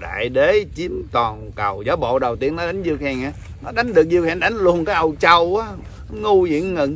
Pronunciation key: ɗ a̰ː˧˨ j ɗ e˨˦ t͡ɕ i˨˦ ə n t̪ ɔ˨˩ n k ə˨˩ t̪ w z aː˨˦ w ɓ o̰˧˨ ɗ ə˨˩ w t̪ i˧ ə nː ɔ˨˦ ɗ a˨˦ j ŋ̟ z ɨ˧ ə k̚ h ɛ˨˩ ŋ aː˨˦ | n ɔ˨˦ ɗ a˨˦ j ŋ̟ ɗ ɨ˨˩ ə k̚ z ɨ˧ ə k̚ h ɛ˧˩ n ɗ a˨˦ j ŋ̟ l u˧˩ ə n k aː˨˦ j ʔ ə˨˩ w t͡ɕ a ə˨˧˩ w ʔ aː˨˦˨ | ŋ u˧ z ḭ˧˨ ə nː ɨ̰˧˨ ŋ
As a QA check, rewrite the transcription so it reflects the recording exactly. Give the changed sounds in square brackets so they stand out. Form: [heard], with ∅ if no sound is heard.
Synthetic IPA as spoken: ɗ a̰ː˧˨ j ɗ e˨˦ t͡ɕ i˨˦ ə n t̪ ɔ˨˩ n k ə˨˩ [∅] w z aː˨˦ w ɓ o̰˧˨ ɗ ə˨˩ w t̪ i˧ ə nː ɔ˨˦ ɗ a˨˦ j ŋ̟ z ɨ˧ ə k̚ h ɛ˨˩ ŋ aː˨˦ | n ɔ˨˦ ɗ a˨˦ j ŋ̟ ɗ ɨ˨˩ ə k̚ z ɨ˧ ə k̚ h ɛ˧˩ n ɗ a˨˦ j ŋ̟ l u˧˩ ə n k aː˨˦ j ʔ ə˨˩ w t͡ɕ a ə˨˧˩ w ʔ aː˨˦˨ | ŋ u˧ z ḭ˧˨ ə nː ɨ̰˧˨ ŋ